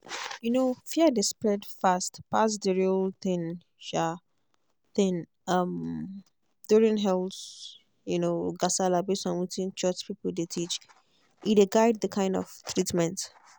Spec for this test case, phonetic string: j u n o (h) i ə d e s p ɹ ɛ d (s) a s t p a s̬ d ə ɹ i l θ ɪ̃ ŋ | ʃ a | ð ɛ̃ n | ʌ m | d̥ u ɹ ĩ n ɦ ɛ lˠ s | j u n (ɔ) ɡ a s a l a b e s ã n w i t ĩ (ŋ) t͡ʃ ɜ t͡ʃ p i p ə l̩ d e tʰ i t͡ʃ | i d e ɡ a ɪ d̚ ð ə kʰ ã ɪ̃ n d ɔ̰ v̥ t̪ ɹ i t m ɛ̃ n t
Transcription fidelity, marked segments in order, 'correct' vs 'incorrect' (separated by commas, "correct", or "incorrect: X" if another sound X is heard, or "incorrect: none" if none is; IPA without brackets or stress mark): incorrect: f, incorrect: f, incorrect: o, incorrect: n